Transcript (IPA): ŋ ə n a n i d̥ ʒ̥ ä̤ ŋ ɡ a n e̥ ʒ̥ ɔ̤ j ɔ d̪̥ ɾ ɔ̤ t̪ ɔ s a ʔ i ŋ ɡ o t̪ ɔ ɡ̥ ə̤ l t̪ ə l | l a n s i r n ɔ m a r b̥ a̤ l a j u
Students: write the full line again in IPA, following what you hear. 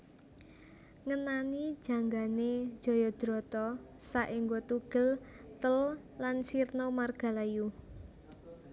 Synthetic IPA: ŋ ə n a n i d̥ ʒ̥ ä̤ ŋ ɡ a n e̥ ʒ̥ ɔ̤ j ɔ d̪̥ ɾ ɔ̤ t̪ ɔ s a ʔ i ŋ ɡ o t̪ u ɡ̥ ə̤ l t̪ ə l | l a n s i r n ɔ m a r ɡ̥ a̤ l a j u